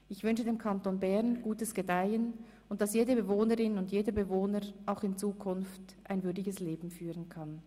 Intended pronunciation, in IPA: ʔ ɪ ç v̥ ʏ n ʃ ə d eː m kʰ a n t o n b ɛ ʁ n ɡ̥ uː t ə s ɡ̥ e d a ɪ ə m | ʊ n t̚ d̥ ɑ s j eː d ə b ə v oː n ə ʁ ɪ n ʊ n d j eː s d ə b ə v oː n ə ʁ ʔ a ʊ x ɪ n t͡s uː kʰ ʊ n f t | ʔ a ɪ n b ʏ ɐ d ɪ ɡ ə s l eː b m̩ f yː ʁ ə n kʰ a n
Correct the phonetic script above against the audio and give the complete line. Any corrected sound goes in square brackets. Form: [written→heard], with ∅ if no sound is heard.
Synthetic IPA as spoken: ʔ ɪ ç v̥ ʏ n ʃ ə d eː m kʰ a n t o n b ɛ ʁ n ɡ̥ uː t ə s ɡ̥ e d a ɪ ə [m→n] | ʊ n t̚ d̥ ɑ s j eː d ə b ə v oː n ə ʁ ɪ n ʊ n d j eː [s→∅] d ə b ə v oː n ə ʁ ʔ a ʊ x ɪ n t͡s uː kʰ ʊ n f t | ʔ a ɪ n [b→v] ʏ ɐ d ɪ ɡ ə s l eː b m̩ f yː ʁ ə n kʰ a n